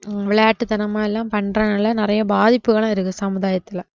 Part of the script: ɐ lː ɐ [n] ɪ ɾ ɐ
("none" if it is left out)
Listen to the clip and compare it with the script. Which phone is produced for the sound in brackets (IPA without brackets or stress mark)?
n